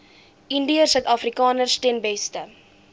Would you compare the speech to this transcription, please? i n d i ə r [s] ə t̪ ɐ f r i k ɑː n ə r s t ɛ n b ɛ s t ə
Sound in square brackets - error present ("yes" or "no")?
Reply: no